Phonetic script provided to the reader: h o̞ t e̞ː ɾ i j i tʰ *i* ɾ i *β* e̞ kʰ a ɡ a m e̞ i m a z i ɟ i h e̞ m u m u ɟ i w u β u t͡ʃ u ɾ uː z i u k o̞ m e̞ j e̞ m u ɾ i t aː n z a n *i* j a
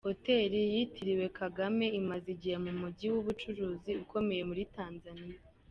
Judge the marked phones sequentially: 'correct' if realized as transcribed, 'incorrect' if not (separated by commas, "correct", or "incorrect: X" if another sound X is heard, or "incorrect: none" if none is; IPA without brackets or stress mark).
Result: correct, incorrect: w, correct